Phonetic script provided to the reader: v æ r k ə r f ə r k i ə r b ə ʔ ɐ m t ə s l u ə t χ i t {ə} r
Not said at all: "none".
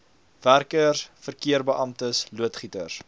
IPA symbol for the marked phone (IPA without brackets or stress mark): ə